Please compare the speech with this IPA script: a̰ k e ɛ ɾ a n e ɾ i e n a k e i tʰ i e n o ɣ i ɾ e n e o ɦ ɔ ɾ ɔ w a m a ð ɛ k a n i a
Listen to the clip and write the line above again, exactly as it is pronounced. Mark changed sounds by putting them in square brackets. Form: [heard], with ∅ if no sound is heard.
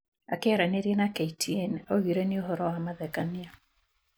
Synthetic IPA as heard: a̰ k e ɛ ɾ a n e ɾ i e n a k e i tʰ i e n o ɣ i ɾ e n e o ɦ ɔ ɾ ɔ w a m a ð ɛ k a n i a